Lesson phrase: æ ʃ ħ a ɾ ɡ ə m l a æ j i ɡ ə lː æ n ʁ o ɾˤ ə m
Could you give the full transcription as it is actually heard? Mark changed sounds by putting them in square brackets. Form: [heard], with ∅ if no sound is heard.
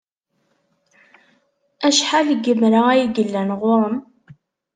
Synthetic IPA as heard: æ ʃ ħ a [l] ɡ ə m [ɾ] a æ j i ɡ ə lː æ n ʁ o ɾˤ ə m